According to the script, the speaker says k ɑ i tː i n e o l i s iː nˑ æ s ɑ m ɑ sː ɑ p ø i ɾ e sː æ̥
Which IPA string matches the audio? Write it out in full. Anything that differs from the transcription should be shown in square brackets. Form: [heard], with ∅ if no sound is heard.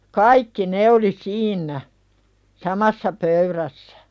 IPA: k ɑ i [kː] i n e o l i s iː nˑ æ s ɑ m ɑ sː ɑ p ø [y] ɾ [æ] sː æ̥